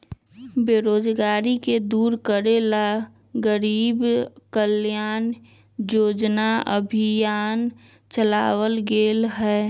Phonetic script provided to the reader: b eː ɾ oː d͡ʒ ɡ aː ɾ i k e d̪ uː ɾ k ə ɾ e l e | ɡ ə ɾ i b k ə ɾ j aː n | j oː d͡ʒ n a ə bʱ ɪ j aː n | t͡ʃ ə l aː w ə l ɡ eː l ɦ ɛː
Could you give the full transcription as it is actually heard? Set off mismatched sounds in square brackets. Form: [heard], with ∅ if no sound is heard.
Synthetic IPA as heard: b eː ɾ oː d͡ʒ ɡ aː ɾ i k e d̪ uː ɾ k ə ɾ e l [a] | ɡ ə ɾ [iː] b k ə [l] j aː n | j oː d͡ʒ n a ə bʱ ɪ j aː n | t͡ʃ ə l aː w ə l ɡ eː l ɦ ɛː